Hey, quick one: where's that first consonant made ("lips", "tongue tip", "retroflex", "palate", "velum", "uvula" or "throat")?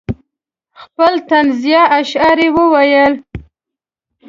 velum